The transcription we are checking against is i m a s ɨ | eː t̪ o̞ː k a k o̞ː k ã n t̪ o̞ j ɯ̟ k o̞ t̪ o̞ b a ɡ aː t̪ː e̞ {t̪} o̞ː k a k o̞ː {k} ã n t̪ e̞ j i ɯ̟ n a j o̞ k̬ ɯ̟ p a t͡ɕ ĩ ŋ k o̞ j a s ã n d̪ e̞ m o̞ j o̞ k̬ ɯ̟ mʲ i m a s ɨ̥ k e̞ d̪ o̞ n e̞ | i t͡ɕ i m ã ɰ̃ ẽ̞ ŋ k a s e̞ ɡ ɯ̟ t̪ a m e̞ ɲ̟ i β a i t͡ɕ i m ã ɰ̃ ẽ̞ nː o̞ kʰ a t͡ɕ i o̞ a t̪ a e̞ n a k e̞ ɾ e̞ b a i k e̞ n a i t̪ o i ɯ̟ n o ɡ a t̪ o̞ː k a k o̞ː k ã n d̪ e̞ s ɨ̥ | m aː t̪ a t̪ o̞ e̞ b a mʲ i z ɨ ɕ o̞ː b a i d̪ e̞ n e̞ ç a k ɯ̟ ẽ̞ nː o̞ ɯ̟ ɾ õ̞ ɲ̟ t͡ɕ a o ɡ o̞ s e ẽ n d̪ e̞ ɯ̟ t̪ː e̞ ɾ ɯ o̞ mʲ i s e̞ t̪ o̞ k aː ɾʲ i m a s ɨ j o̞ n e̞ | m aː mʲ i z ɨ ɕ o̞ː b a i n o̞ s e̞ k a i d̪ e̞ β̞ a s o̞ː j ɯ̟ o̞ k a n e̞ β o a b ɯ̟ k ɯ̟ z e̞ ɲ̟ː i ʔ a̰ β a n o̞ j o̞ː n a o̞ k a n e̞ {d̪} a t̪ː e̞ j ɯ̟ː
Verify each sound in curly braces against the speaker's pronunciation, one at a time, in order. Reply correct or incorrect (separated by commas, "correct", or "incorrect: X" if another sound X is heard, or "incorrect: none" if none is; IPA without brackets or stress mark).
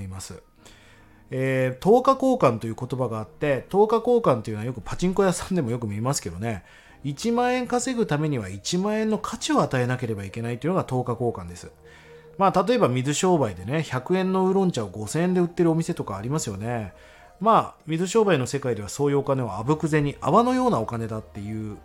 correct, correct, correct